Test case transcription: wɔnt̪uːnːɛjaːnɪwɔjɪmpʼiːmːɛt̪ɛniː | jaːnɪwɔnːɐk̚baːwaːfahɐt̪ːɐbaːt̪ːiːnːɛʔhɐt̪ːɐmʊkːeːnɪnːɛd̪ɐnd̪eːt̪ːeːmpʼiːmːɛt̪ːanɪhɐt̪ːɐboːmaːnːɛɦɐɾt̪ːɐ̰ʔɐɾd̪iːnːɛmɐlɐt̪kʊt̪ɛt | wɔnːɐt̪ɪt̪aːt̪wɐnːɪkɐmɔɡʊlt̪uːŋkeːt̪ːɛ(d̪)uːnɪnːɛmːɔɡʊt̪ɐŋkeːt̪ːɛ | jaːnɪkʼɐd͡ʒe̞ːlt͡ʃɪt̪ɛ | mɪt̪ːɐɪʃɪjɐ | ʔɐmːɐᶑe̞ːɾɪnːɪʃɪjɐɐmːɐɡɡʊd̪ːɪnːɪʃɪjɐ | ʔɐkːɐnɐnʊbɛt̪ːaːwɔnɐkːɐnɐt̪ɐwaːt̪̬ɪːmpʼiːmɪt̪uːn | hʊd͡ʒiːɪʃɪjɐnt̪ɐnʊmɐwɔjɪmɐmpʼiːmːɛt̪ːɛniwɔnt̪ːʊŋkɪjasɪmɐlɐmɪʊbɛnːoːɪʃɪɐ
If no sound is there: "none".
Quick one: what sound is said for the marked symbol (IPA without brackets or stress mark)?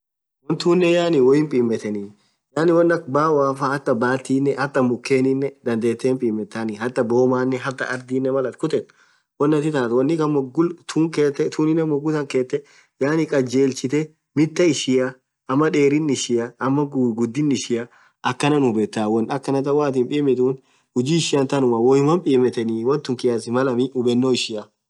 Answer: t̪